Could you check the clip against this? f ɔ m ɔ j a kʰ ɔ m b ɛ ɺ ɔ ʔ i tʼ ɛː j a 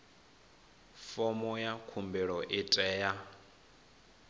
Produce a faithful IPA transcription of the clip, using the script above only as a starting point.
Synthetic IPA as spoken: f ɔ m ɔ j a kʰ u m b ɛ ɺ ɔ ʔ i tʼ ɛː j a